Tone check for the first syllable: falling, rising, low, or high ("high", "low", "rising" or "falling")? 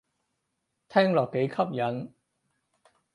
high